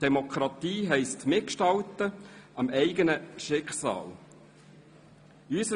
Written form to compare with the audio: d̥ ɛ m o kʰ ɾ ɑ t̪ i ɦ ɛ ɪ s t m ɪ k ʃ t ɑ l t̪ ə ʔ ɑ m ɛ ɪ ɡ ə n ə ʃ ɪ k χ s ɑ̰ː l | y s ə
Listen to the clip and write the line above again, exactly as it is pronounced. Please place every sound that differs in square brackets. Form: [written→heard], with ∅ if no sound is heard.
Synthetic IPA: d̥ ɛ m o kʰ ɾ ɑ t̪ [i→iː] ɦ ɛ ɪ s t m ɪ k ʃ t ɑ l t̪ ə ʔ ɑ m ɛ ɪ ɡ ə n ə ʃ ɪ k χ s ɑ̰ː l | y s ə